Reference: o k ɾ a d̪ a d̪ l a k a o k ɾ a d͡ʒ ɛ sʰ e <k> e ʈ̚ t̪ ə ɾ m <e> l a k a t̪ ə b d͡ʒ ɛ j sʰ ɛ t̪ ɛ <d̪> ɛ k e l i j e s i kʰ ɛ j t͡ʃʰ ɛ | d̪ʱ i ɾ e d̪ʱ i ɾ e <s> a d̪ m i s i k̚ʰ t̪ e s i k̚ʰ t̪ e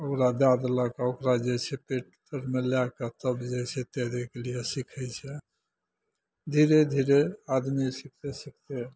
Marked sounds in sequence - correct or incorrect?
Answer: incorrect, correct, correct, incorrect

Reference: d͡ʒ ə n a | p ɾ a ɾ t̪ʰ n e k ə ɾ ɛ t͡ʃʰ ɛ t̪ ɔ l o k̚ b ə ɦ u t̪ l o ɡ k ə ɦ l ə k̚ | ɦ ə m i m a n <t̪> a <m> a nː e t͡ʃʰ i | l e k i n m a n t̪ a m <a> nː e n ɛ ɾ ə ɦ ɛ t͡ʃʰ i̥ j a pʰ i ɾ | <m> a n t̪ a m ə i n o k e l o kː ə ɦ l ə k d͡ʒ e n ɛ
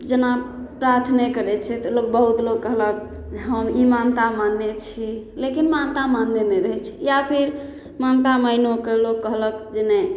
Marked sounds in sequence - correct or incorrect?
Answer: correct, correct, correct, correct

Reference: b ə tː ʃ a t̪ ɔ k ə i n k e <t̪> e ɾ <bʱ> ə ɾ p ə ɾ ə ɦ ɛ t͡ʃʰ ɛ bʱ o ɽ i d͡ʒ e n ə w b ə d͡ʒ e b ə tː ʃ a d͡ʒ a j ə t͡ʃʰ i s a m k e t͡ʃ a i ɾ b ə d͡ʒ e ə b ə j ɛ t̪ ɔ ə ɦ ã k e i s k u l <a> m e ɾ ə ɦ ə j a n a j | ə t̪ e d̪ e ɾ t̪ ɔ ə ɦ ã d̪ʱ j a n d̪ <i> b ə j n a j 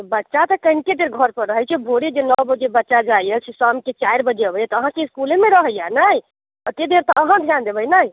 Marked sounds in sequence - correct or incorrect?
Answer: incorrect, incorrect, incorrect, incorrect

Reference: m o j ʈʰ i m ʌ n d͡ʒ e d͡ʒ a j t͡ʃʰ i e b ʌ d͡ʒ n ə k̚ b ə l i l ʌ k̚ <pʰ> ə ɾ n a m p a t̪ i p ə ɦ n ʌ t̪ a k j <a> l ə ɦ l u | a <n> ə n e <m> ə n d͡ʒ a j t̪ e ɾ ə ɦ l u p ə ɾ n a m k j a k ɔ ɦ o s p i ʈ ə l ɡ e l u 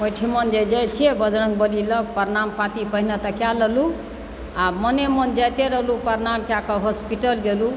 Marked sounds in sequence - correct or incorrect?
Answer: incorrect, correct, incorrect, correct

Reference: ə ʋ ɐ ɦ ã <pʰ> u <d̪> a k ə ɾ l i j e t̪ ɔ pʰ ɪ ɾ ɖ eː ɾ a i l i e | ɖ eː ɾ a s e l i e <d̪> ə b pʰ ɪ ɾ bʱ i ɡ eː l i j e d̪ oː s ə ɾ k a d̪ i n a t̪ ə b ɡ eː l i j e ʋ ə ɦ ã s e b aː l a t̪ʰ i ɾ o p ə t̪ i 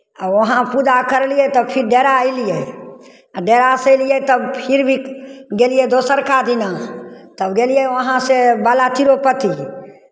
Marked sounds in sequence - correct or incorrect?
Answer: incorrect, correct, incorrect

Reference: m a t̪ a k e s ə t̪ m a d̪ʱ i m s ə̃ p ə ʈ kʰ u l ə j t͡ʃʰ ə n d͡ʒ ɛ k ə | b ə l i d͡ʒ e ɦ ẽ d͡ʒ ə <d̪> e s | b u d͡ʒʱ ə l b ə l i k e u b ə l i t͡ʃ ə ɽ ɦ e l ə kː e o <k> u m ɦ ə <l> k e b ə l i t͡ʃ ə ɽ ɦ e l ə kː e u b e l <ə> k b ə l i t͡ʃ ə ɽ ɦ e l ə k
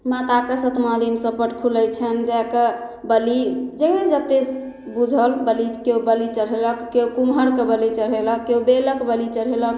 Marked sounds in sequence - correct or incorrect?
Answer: incorrect, correct, incorrect, correct

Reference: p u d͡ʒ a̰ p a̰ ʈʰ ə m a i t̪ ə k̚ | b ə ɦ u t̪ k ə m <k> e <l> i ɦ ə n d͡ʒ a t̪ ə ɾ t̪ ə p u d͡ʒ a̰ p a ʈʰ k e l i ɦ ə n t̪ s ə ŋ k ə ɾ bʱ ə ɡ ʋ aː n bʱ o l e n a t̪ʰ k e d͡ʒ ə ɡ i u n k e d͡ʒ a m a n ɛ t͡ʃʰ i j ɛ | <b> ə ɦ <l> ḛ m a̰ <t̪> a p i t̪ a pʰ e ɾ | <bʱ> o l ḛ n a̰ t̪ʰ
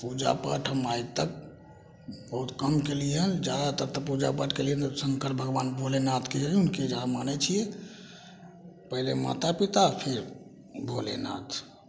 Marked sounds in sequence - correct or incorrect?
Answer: correct, correct, incorrect, correct, correct, correct

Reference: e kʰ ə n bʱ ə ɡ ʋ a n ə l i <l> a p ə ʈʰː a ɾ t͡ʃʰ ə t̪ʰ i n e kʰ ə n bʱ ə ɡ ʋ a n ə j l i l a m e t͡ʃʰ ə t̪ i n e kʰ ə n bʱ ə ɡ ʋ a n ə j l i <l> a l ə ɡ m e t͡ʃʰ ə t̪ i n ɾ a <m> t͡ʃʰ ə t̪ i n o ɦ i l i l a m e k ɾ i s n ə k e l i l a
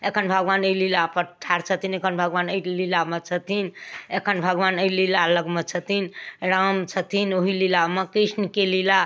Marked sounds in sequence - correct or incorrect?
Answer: correct, correct, correct

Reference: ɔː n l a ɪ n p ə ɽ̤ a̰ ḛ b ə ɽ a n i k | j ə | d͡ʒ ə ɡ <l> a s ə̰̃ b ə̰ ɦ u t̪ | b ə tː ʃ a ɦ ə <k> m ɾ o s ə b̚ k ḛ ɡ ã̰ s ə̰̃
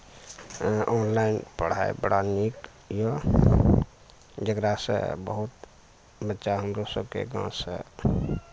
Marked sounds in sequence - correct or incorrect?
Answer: incorrect, incorrect

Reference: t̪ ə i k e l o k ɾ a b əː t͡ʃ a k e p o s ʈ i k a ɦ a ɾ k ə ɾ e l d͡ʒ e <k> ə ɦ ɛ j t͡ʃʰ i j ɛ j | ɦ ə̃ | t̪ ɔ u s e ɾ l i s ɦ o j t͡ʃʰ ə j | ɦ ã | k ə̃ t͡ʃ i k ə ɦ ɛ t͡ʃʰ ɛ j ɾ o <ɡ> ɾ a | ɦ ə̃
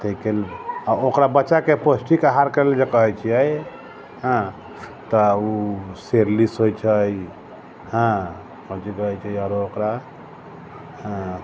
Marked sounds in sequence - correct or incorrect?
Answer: correct, incorrect

